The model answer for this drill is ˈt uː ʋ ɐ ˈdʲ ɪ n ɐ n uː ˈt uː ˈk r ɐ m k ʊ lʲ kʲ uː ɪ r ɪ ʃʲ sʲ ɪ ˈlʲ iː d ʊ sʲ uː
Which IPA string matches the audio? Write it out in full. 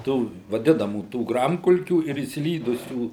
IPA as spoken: ˈt uː ʋ ɐ ˈdʲ ɪ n ɐ m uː ˈt uː ˈɡ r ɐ m k ʊ lʲ kʲ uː ɪ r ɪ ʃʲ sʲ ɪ ˈlʲ iː d ʊ sʲ uː